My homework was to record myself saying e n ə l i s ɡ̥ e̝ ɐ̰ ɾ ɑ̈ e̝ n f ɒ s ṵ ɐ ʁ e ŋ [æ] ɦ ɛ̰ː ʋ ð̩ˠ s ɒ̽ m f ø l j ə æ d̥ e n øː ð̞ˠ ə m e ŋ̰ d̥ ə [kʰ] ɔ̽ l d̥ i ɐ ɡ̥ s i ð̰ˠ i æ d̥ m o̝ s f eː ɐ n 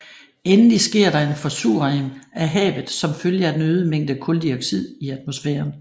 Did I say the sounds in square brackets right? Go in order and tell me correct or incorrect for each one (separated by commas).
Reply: correct, correct